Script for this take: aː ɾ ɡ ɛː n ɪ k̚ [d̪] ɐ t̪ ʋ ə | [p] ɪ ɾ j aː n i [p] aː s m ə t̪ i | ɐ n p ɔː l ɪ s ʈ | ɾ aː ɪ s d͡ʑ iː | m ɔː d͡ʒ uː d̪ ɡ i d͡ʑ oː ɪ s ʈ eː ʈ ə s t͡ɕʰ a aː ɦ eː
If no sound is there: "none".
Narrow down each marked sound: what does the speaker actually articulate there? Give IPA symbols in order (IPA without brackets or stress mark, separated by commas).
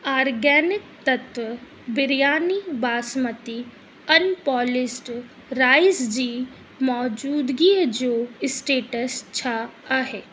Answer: t̪, b, b